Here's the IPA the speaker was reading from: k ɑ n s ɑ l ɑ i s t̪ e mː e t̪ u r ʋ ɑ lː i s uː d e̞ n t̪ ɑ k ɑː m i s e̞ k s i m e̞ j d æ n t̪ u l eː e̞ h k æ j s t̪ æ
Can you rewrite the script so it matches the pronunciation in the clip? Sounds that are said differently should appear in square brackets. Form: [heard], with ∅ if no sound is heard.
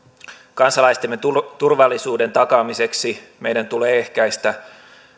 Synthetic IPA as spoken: k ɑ n s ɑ l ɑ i s t̪ e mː e t̪ u r ʋ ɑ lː i s uː d e̞ n t̪ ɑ k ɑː m i s e̞ k s i m e̞ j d æ n t̪ u l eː e̞ h k æ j s t̪ æ